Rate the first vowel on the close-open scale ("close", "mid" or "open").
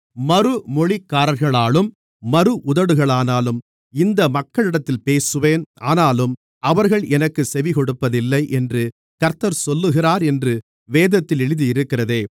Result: open